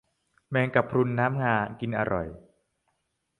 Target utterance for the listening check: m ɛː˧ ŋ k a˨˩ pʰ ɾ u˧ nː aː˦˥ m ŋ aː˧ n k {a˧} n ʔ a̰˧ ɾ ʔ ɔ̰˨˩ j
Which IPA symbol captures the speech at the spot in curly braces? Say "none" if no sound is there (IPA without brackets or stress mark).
i˧